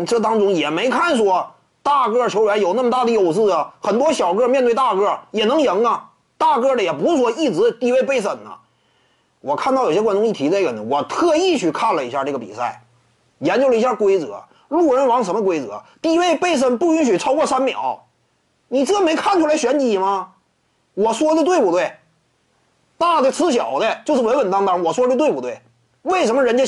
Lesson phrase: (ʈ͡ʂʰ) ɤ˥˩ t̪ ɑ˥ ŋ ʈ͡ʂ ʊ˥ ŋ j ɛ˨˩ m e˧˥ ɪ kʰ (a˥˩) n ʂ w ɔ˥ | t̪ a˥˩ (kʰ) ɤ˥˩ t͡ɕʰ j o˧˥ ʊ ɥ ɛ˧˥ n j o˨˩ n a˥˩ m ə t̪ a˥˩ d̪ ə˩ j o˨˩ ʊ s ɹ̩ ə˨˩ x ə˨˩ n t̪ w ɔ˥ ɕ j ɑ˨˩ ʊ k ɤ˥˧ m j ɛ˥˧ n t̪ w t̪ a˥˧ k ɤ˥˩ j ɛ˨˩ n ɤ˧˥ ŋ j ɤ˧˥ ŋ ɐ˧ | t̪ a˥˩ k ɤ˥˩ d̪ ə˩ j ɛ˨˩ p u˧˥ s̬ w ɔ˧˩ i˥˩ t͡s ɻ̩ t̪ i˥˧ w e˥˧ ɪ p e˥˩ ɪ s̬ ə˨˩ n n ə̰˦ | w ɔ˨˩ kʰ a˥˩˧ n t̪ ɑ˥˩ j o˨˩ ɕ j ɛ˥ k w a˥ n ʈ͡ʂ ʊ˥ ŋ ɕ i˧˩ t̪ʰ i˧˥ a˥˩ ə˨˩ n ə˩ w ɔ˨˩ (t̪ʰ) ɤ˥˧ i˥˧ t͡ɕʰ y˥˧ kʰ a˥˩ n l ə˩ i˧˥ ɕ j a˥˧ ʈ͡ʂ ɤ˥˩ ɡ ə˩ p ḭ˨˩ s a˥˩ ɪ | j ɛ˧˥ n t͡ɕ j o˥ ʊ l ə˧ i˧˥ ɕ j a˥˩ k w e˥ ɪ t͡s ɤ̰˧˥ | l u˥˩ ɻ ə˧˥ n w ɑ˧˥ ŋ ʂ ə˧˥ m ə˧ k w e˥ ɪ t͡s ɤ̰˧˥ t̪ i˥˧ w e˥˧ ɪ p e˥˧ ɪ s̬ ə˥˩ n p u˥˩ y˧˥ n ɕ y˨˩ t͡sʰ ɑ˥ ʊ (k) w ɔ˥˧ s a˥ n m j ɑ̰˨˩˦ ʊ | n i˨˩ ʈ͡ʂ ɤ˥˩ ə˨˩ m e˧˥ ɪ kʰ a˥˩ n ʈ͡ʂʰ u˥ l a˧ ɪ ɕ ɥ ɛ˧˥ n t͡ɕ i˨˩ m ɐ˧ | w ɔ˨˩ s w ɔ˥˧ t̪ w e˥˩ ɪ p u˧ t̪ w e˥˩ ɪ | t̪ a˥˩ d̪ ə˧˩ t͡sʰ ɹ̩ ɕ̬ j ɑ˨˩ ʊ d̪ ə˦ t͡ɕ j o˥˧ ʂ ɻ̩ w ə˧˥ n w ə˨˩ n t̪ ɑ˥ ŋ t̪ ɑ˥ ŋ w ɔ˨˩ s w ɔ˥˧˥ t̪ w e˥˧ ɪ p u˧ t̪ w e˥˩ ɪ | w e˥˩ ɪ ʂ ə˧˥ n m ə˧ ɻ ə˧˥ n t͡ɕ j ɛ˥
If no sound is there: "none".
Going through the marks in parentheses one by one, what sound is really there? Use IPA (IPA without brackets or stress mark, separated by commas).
ʈ͡ʂ, a˥˩, k, t̪ʰ, k